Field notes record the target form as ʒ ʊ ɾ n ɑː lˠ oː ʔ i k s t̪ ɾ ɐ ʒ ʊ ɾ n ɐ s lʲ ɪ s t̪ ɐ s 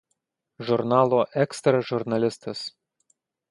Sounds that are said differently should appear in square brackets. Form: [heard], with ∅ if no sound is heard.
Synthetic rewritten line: ʒ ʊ ɾ n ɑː lˠ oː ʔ [ɛ] k s t̪ ɾ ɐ ʒ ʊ ɾ n ɐ [∅] lʲ ɪ s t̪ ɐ s